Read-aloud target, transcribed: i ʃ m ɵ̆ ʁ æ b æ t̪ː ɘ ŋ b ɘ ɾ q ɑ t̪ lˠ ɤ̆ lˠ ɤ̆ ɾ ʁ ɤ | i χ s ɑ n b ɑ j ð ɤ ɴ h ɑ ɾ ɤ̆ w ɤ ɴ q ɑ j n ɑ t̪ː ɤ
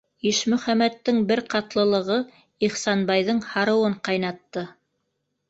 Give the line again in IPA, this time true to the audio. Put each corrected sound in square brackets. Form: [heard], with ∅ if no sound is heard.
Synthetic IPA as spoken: i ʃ m ɵ̆ [χ] æ [m] æ t̪ː ɘ ŋ b ɘ ɾ q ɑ t̪ lˠ ɤ̆ lˠ ɤ̆ [∅] ʁ ɤ | i χ s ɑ n b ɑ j ð ɤ ɴ h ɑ ɾ ɤ̆ w ɤ ɴ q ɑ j n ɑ t̪ː ɤ